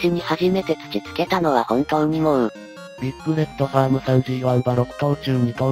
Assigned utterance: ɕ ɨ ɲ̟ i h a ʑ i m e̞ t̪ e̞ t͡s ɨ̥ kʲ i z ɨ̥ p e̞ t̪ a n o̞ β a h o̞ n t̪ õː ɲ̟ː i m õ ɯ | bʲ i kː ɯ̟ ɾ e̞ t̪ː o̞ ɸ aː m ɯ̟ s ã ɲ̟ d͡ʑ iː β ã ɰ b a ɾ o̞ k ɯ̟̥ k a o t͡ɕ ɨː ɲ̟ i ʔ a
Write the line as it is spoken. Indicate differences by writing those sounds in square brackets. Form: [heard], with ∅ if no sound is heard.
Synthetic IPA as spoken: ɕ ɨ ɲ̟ i h a ʑ i m e̞ t̪ e̞ t͡s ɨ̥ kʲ i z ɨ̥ [k] e̞ t̪ a n o̞ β a h [õ̞] n t̪ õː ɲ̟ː i m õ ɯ | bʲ i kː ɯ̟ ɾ e̞ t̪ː o̞ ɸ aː m ɯ̟ s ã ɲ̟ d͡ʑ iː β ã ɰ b a ɾ o̞ k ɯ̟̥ k a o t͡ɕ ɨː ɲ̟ i [k] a

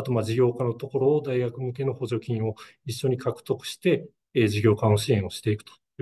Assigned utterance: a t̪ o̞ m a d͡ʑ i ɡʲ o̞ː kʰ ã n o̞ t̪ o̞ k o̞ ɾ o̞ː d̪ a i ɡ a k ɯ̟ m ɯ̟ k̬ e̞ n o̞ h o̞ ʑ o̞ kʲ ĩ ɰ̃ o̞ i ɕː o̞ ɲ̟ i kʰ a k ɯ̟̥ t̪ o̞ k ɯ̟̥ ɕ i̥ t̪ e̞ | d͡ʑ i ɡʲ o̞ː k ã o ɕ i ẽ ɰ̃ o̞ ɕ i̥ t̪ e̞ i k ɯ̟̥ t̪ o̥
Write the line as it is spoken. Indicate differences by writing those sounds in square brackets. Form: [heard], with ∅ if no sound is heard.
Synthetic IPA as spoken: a t̪ o̞ m a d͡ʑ i ɡʲ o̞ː [k] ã n o̞ t̪ o̞ k o̞ ɾ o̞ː d̪ a i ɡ a k ɯ̟ m ɯ̟ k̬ e̞ n o̞ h o̞ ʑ o̞ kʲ ĩ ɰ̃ o̞ i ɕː o̞ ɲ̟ i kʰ a k ɯ̟̥ t̪ o̞ k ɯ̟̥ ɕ i̥ t̪ e̞ | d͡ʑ i ɡʲ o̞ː k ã o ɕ i ẽ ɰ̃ o̞ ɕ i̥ t̪ e̞ i k ɯ̟̥ t̪ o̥

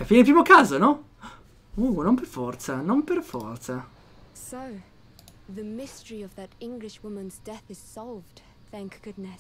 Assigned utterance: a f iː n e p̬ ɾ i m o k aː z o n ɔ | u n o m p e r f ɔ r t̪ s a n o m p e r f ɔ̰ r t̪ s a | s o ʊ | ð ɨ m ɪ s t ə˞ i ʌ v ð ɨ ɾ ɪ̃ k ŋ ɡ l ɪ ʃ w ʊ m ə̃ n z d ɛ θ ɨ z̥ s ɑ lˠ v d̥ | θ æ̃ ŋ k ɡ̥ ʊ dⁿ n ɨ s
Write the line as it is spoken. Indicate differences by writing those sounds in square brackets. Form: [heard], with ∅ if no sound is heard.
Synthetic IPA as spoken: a f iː n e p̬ ɾ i m o k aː z o n ɔ | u n o m p e r f ɔ r t̪ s a n o m p e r f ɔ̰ r t̪ s a | s o ʊ | ð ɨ m ɪ s t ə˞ i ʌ v ð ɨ ɾ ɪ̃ [∅] ŋ ɡ l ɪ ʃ w ʊ m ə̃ n z d ɛ θ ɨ z̥ s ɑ lˠ v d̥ | θ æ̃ ŋ k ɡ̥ ʊ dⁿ n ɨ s

